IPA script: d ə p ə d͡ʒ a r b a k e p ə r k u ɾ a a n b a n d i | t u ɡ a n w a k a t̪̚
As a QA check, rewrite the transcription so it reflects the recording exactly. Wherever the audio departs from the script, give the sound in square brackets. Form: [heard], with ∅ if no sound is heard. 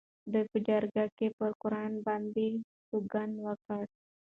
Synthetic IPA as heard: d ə p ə d͡ʒ a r [ɡ] a k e p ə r k u ɾ a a n b a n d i | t u ɡ a n w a k a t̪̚